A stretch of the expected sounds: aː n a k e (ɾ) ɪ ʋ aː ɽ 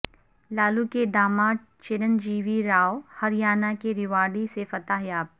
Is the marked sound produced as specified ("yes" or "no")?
yes